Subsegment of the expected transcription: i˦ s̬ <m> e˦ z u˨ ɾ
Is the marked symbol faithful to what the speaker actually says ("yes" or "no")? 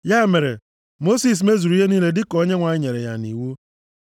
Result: yes